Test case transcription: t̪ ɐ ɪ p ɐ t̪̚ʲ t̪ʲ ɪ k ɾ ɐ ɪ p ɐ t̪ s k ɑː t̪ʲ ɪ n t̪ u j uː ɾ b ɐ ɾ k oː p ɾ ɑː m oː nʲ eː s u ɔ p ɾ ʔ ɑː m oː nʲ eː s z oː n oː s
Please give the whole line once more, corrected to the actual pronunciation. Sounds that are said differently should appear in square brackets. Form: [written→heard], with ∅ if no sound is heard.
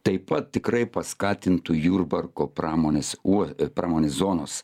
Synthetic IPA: t̪ ɐ ɪ p ɐ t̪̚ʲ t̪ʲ ɪ k ɾ ɐ ɪ p ɐ [t̪→∅] s k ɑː t̪ʲ ɪ n t̪ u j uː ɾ b ɐ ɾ k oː p ɾ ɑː m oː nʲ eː s u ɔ p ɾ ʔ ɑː m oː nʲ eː s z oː n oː s